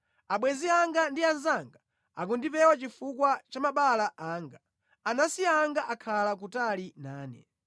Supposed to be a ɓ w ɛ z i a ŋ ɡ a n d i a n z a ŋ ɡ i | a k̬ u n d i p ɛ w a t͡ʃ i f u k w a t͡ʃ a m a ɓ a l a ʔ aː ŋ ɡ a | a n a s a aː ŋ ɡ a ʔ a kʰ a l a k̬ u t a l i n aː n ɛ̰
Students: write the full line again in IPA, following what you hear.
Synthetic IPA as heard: a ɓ w ɛ z i a ŋ ɡ a n d i a n z a ŋ ɡ a | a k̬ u n d i p ɛ w a t͡ʃ i f u k w a t͡ʃ a m a ɓ a l a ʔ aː ŋ ɡ a | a n a s i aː ŋ ɡ a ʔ a kʰ a l a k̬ u t a l i n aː n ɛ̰

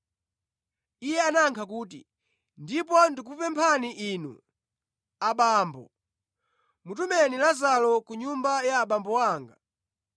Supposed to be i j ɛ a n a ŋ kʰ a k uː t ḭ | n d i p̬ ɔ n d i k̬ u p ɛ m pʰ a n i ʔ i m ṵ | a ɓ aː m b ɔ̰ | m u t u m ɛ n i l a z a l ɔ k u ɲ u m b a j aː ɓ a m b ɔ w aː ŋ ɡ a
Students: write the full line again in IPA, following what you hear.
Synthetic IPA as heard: i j ɛ a n a ŋ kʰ a k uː t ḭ | n d i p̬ ɔ n d i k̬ u p ɛ m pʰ a n i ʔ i n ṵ | a ɓ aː m b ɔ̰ | m u t u m ɛ n i l a z a l ɔ k u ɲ u m b a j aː ɓ a m b ɔ w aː ŋ ɡ a

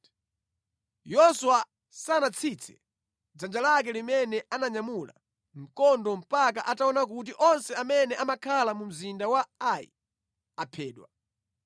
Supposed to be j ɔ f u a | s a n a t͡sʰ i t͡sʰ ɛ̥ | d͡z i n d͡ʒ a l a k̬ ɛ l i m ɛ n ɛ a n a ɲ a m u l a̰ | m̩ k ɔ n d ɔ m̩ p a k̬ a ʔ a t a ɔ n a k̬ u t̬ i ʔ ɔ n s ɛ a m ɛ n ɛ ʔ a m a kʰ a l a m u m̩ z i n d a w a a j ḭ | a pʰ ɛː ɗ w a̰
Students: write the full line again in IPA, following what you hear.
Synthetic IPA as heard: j ɔ s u a | s a n a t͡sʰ i t͡sʰ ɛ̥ | d͡z a n d͡ʒ a l a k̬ ɛ l i m ɛ n ɛ a n a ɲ a m u l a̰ | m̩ k ɔ n d ɔ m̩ p a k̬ a ʔ a t a ɔ n a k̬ u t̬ i ʔ ɔ n s ɛ a m ɛ n ɛ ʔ a m a kʰ a l a m u m̩ z i n d a w a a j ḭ | a pʰ ɛː ɗ w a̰

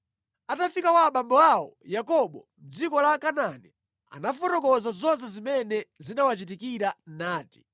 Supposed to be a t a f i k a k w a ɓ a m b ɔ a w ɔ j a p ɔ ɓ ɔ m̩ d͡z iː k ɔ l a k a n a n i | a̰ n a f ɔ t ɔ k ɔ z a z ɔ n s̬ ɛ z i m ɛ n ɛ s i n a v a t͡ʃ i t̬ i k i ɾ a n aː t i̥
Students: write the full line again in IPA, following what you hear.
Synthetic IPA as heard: a t a f i k a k w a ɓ a m b ɔ a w ɔ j a k ɔ ɓ ɔ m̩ d͡z i k ɔ l a k a n a n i | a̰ n a f ɔ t ɔ k ɔ z a z ɔ n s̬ ɛ z i m ɛ n ɛ z i n a w a t͡ʃ i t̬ i k i ɾ a n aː t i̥

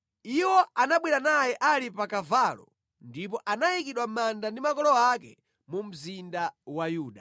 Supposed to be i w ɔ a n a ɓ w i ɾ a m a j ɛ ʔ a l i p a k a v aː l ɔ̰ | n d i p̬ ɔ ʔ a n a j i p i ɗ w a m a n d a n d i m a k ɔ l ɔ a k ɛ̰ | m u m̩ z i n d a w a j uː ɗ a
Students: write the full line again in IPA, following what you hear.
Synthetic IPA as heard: i w ɔ a n a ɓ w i ɾ a n a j ɛ ʔ a l i p a k a v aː l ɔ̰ | n d i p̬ ɔ ʔ a n a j i k i ɗ w a m a n d a n d i m a k ɔ l ɔ a k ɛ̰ | m u m̩ z i n d a w a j uː ɗ a

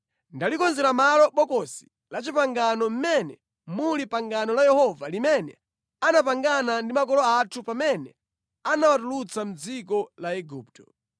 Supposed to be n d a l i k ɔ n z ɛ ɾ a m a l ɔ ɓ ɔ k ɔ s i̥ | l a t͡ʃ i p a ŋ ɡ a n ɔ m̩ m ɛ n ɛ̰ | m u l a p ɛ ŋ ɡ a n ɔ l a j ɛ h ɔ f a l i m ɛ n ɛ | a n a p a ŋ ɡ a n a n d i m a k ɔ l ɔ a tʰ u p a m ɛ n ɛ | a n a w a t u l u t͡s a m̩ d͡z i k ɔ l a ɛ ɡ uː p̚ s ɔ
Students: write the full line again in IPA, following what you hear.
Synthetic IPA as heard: n d a l i k ɔ n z ɛ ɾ a m a l ɔ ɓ ɔ k ɔ s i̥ | l a t͡ʃ i p a ŋ ɡ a n ɔ m̩ m ɛ n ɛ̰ | m u l i p a ŋ ɡ a n ɔ l a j ɛ h ɔ v a l i m ɛ n ɛ | a n a p a ŋ ɡ a n a n d i m a k ɔ l ɔ a tʰ u p a m ɛ n ɛ | a n a w a t u l u t͡s a m̩ d͡z i k ɔ l a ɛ ɡ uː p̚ t ɔ

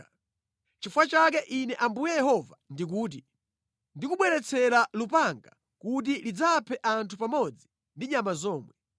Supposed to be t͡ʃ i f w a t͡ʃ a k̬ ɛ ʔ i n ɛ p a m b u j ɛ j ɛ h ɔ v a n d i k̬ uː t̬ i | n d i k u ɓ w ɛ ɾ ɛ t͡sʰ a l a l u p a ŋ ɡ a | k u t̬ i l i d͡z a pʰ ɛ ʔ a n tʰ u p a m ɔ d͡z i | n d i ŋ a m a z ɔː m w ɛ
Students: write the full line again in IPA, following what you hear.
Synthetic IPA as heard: t͡ʃ i f w a t͡ʃ a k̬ ɛ ʔ i n ɛ ʔ a m b u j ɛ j ɛ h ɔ v a n d i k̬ uː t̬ i | n d i k u ɓ w ɛ ɾ ɛ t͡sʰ ɛ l a l u p a ŋ ɡ a | k u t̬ i l i d͡z a pʰ ɛ ʔ a n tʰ u p a m ɔ d͡z i | n d i ɲ a m a z ɔː m w ɛ

